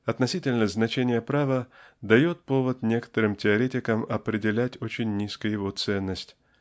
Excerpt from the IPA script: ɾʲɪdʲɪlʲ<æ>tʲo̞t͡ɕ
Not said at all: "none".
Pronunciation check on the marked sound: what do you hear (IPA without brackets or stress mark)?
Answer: æ